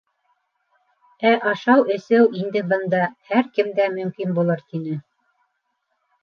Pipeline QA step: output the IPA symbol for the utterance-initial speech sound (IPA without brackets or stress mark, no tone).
æ